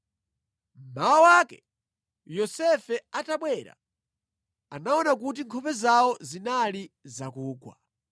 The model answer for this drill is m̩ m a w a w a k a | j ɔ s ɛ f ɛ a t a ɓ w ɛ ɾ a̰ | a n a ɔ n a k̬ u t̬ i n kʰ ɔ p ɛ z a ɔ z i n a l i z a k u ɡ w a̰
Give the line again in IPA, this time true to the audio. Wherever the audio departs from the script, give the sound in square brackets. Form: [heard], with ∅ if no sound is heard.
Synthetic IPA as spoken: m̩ m a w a w a k [ɛ] | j ɔ s ɛ f ɛ a t a ɓ w ɛ ɾ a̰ | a n a ɔ n a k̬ u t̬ i [ŋ] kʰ ɔ p ɛ z a ɔ z i n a l i z a k [uː] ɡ w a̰

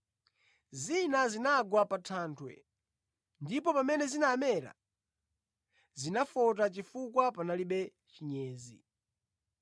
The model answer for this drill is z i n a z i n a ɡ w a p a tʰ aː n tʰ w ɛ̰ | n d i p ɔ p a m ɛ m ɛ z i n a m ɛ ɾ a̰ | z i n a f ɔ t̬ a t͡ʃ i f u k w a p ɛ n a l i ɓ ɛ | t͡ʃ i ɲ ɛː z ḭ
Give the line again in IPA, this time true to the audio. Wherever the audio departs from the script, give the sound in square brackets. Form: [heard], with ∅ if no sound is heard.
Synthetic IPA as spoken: z i n a z i n a ɡ w a p a tʰ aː n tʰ w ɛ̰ | n d i p ɔ p a m ɛ [n] ɛ z i n a m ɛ ɾ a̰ | z i n a f ɔ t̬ a t͡ʃ i f u k w a p [a] n a l i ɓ ɛ | t͡ʃ i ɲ ɛː z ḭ

